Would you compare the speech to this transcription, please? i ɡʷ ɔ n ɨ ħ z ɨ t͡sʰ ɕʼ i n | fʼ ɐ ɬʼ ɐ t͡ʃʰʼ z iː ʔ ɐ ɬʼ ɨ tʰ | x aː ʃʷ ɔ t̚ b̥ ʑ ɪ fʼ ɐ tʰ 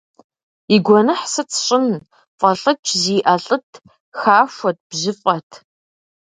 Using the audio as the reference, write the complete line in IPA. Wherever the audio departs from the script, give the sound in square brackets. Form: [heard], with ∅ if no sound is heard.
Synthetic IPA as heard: i ɡʷ ɔ n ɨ ħ [s] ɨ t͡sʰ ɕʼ [ɪ] n | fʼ ɐ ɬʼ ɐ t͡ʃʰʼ z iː ʔ ɐ ɬʼ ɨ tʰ | x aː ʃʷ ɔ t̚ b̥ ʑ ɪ fʼ ɐ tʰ